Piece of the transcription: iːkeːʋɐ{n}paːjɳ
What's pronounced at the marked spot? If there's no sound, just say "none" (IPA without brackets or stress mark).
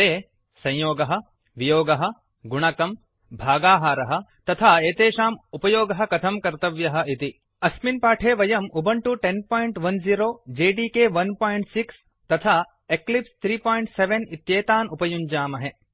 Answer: n